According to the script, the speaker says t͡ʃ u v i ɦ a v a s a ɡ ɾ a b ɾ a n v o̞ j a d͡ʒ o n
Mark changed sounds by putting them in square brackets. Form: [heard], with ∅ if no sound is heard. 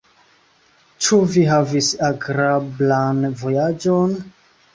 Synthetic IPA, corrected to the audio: t͡ʃ u v i ɦ a v [i] s a ɡ ɾ a b [l] a n v o̞ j a d͡ʒ o n